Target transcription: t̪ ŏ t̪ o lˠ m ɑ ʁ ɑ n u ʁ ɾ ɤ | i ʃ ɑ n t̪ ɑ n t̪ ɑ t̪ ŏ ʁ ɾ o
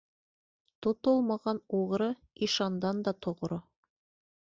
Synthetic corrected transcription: t̪ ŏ t̪ o lˠ m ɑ ʁ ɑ n u ʁ ɾ ɤ | i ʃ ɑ n d̪ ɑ n d̪ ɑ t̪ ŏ ʁ ɾ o